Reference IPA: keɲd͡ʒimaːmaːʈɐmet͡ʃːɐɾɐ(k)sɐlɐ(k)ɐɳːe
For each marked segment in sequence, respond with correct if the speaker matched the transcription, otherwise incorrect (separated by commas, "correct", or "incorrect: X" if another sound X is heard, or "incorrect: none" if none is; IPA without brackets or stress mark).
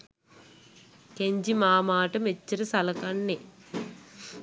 incorrect: none, correct